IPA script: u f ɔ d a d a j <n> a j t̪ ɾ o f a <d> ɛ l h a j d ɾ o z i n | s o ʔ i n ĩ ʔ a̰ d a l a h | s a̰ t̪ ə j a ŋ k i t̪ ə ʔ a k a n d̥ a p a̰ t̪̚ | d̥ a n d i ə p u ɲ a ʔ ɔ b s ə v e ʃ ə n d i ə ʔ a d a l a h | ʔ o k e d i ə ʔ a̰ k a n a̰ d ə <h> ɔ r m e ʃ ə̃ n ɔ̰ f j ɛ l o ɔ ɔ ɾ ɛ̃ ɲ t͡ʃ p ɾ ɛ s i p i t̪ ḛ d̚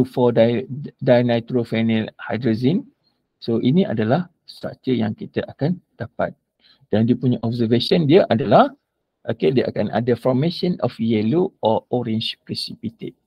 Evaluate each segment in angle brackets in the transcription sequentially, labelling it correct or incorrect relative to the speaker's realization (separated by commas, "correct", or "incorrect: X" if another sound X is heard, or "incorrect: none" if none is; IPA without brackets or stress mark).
correct, incorrect: n, incorrect: f